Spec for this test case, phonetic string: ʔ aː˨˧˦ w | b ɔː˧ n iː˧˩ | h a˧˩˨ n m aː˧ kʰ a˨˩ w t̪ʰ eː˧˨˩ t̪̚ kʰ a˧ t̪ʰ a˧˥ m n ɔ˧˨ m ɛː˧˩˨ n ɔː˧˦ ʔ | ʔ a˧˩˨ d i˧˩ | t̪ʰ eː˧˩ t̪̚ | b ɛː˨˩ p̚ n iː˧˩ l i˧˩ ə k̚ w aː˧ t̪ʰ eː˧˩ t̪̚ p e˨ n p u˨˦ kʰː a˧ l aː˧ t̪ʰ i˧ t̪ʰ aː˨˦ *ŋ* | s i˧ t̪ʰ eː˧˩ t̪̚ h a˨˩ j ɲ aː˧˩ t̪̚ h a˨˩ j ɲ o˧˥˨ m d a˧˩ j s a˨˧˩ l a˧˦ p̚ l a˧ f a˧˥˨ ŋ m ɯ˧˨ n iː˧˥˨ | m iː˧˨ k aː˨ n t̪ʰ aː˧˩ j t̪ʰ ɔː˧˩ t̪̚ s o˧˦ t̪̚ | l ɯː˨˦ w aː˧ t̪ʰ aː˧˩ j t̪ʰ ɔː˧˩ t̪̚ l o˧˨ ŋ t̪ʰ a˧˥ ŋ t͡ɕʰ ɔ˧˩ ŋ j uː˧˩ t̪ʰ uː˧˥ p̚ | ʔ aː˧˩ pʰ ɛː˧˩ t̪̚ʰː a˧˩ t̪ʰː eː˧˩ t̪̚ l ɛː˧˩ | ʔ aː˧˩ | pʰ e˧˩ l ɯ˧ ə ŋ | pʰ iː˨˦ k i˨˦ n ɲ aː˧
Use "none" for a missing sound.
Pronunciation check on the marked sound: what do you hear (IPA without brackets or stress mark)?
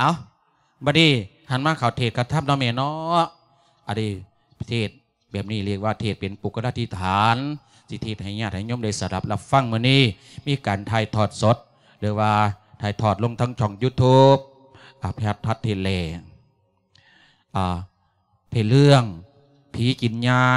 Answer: n